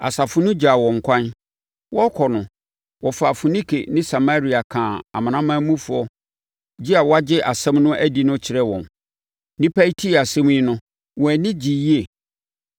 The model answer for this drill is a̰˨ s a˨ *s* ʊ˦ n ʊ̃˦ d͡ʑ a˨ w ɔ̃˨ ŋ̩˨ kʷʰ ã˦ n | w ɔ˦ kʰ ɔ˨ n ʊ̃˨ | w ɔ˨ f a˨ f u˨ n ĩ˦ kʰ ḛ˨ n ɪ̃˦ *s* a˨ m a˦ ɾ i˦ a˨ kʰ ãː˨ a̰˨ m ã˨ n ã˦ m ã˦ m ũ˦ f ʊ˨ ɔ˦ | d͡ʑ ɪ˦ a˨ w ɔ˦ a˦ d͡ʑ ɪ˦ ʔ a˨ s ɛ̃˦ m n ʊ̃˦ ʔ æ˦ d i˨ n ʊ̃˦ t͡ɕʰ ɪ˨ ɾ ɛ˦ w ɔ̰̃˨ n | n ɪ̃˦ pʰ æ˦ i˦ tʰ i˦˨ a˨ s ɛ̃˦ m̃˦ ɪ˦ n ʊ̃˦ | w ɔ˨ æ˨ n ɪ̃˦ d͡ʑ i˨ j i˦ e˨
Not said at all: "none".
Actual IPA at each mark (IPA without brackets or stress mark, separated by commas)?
f, s